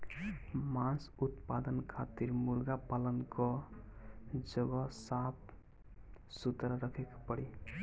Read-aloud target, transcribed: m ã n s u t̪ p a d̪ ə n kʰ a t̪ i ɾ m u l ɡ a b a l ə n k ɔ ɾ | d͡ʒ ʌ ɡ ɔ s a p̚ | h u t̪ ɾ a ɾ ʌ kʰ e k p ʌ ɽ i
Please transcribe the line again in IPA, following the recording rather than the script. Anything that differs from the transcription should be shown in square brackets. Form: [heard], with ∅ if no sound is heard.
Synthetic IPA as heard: m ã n s u t̪ p a d̪ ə n kʰ a t̪ i ɾ m u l ɡ a [p] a l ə n k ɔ [∅] | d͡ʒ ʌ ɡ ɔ s a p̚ | [s] u t̪ ɾ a ɾ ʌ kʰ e k p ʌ ɽ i

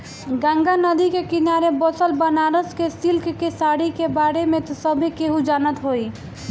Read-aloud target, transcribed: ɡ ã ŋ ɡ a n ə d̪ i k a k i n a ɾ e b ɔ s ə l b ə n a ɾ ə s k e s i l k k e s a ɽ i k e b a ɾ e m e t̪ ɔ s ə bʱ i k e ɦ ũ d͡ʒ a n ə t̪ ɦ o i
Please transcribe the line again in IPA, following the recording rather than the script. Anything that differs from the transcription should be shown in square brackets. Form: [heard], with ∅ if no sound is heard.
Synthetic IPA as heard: ɡ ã ŋ ɡ a n ə d̪ i k [e] k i n a ɾ e b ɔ s ə l b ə n a ɾ ə s k e s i l k k e s a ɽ i k e b a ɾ e m e t̪ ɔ s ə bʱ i k e ɦ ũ d͡ʒ a n ə t̪ ɦ o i

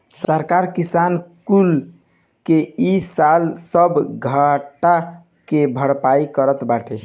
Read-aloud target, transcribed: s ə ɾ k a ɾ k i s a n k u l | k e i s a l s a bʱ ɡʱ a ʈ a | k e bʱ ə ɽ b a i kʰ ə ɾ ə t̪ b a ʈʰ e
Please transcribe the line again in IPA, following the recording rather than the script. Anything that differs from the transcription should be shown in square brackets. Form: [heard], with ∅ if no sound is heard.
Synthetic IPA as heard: s ə ɾ k a ɾ k i s a n k u l | k e i s a l s [ə] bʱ ɡʱ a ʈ a | k e bʱ ə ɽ [p] a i [k] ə ɾ ə t̪ b a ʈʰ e

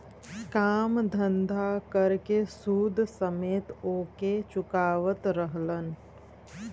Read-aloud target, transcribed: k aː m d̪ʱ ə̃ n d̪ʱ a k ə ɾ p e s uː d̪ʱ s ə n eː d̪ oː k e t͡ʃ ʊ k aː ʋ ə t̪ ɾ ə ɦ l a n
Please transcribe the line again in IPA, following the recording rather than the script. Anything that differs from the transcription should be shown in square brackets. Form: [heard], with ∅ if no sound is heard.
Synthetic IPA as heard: k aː m d̪ʱ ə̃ n d̪ʱ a k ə ɾ [k] e s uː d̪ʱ s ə [m] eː [t̪] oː k e t͡ʃ ʊ k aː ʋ ə t̪ ɾ ə ɦ l [ə] n

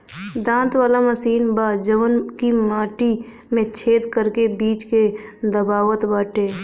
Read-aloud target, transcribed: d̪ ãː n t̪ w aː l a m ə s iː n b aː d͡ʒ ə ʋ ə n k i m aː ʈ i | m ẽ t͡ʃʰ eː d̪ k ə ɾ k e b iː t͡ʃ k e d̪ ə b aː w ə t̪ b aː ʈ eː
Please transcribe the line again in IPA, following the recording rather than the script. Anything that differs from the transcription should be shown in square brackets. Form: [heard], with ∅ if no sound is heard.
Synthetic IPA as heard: d̪ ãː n t̪ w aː l a m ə s iː n b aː d͡ʒ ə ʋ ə n k i m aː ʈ i | m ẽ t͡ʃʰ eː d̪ k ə ɾ k e b iː t͡ʃ k e d̪ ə b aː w ə t̪ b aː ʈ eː

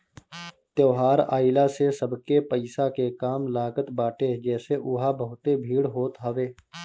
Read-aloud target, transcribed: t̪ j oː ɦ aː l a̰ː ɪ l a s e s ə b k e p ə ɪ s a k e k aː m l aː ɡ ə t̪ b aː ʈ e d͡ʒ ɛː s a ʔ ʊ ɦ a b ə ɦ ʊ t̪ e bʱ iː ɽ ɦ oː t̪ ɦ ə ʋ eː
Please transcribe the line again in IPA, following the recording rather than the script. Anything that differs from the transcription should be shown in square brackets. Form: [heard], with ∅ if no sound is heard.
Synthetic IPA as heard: t̪ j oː ɦ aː [ɾ] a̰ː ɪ l a s e s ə b k e p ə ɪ s a k e k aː m l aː ɡ ə t̪ b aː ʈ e d͡ʒ ɛː s [e] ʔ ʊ ɦ a b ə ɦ ʊ t̪ e bʱ iː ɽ ɦ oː t̪ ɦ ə ʋ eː

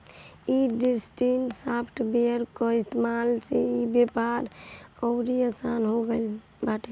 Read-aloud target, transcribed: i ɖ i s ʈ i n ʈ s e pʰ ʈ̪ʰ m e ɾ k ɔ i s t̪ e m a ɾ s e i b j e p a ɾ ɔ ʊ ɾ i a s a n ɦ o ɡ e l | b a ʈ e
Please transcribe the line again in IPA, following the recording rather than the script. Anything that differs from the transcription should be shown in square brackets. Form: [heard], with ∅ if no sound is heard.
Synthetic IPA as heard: i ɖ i s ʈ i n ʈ s [a] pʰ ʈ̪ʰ [b] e ɾ k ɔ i s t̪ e m a [l] s e i b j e p a ɾ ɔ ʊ ɾ i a s a n ɦ o ɡ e l | b a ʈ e

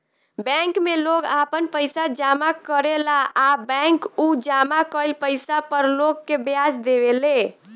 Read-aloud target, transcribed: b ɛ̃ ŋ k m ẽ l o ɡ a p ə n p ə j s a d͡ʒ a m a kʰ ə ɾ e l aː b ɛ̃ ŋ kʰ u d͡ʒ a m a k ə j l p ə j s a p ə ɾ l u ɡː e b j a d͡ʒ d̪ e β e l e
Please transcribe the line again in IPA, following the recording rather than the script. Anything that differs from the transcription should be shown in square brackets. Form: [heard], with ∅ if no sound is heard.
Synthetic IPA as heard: b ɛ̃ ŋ k m [e] l o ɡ a p ə n p ə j s a d͡ʒ a m a [k] ə ɾ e l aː b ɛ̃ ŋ [k] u d͡ʒ a m a k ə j l p ə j s a p ə ɾ l [o] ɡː e b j a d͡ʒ d̪ e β e l e

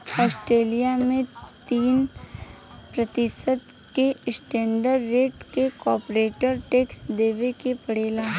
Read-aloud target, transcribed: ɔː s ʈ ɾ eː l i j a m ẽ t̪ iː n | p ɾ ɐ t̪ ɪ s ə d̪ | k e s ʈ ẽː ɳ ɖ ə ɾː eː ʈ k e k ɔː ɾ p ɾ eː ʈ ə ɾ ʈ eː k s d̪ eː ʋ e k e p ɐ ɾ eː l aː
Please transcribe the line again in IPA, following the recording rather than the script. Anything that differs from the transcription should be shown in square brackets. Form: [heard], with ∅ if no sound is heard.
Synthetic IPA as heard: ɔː s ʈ ɾ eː l i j a m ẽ t̪ iː n | p ɾ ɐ t̪ ɪ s ə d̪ | k e s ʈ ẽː ɳ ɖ ə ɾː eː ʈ k e k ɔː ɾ p ɾ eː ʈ ə ɾ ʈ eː k s d̪ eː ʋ e k e p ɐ [ɽ] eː l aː

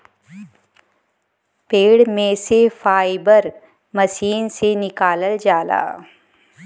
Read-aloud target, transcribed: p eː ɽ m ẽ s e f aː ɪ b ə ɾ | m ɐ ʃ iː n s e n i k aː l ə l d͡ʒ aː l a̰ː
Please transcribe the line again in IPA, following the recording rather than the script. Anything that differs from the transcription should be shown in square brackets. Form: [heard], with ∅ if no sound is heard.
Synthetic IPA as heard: p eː ɽ m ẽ s e f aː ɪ b ə ɾ | m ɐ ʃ iː n s e n [ɪ] k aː l ə l d͡ʒ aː l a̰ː

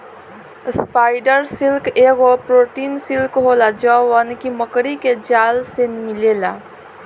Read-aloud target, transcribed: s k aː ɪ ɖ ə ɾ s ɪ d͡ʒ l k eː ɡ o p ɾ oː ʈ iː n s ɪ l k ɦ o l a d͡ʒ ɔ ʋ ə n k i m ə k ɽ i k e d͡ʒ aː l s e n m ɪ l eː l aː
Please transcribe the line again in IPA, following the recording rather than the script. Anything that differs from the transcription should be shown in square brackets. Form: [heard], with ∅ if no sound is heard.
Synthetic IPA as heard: s [p] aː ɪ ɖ ə ɾ s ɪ [∅] l k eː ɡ o p ɾ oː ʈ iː n s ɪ l k ɦ o l a d͡ʒ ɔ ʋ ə n k i m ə k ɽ i k e d͡ʒ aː l s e n m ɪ l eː l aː

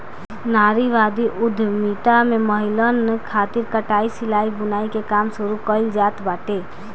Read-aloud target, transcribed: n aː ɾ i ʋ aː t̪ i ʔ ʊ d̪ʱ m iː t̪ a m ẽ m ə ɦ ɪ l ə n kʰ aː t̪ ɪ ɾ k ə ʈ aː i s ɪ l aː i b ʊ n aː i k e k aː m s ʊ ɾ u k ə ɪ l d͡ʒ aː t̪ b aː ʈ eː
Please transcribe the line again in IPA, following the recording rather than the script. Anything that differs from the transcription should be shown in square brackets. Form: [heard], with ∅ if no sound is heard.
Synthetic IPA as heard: n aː ɾ i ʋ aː [d̪] i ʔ ʊ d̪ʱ m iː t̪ a m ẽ m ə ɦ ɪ l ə n kʰ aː t̪ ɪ ɾ k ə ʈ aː i s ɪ l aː i b ʊ n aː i k e k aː m s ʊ ɾ u k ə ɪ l d͡ʒ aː t̪ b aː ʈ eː

